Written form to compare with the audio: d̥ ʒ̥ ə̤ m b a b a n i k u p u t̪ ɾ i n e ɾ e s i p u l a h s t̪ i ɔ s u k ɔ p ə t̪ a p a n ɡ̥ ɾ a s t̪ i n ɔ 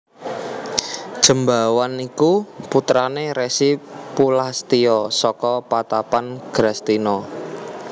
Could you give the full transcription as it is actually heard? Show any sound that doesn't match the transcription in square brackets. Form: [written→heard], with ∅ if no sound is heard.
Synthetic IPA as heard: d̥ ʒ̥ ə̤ m b a [b→w] a n i k u p u t̪ ɾ [i→a] n e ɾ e s i p u l a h s t̪ i ɔ s [u→ɔ] k ɔ p [ə→a] t̪ a p a n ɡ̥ ɾ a s t̪ i n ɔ